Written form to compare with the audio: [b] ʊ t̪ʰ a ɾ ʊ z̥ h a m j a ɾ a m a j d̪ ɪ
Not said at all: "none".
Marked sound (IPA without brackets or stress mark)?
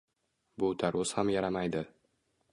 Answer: b